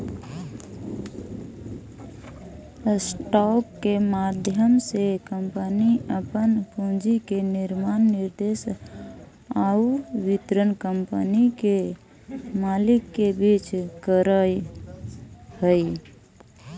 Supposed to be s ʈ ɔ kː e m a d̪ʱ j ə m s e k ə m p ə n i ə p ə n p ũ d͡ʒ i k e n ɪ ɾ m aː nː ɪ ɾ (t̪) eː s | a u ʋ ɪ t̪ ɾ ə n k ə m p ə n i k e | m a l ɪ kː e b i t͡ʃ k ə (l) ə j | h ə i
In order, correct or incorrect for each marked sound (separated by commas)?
incorrect, incorrect